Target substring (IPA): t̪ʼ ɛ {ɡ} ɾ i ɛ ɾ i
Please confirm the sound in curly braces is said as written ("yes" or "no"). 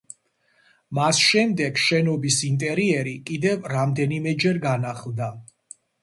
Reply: no